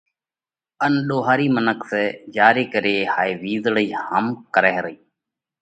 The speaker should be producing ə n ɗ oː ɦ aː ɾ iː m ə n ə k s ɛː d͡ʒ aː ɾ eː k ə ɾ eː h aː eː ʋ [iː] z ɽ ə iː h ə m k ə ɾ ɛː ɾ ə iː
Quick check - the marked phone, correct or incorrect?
correct